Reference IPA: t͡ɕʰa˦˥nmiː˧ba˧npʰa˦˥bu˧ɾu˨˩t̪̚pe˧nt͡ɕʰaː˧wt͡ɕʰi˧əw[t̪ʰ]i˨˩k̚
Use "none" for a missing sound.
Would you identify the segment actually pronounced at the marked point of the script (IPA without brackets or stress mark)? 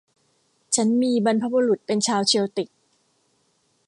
t̪